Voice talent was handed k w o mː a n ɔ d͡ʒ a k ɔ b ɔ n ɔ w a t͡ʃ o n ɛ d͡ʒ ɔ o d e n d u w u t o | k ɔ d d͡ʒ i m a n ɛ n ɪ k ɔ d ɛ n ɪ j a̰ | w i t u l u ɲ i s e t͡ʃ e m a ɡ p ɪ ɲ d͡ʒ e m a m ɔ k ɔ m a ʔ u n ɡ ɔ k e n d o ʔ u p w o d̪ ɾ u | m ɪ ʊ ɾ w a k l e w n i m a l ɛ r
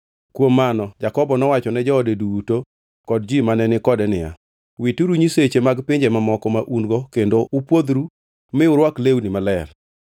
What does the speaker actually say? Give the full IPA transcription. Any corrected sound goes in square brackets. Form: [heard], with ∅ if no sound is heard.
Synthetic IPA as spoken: k w o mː a n ɔ d͡ʒ a k ɔ b ɔ n ɔ w a t͡ʃ [ɔ] n ɛ d͡ʒ ɔ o d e [∅] d u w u t o | k ɔ d d͡ʒ i m a n ɛ n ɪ k ɔ d ɛ n ɪ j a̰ | w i t u [ɾ] u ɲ i s e t͡ʃ e m a ɡ p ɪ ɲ d͡ʒ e m a m ɔ k ɔ m a ʔ u n ɡ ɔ k e n d o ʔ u p w o d̪ ɾ u | m ɪ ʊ ɾ w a k l e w n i m a l ɛ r